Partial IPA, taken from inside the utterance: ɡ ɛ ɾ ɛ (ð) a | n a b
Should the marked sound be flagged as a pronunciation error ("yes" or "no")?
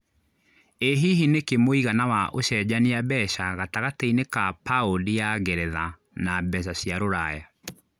no